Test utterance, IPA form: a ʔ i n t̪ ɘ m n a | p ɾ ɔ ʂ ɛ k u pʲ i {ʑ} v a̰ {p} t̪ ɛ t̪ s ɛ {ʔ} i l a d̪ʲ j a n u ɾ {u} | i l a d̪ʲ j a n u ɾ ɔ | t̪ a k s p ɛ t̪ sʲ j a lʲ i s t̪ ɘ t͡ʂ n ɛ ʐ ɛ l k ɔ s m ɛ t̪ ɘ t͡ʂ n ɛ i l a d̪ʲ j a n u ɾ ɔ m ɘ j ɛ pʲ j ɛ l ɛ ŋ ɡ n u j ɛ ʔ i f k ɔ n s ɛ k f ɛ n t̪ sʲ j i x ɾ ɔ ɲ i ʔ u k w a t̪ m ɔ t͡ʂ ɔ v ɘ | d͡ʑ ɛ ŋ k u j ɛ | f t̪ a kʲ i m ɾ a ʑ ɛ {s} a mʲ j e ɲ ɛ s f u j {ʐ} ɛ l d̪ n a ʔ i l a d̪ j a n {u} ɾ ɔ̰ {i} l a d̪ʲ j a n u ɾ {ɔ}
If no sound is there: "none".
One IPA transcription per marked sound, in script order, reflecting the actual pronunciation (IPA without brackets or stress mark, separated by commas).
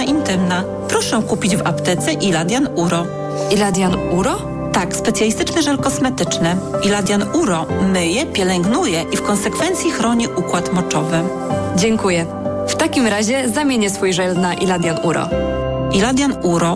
d͡ʑ, p, ʔ, ɔ, z, ʐ, u, i, ɔ